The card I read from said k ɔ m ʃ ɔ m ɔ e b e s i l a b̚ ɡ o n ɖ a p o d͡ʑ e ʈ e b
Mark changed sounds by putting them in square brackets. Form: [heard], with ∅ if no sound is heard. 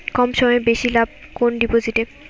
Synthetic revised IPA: k ɔ m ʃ ɔ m ɔ e b e [ʃ] i l a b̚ [k] o n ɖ [i] p o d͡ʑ [i] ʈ e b